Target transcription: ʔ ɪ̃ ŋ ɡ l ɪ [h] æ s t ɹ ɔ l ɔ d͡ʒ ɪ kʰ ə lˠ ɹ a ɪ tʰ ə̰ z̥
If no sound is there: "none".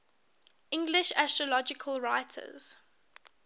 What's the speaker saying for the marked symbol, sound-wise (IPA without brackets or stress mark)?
ʃ